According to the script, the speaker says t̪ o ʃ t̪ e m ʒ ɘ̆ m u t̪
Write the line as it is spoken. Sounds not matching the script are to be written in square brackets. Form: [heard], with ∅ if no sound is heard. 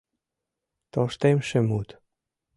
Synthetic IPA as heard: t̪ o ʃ t̪ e m [ʃ] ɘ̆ m u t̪